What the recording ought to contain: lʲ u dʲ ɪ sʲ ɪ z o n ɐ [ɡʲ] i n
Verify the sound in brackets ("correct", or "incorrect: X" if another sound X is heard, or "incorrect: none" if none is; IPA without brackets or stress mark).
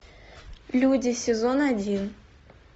incorrect: dʲ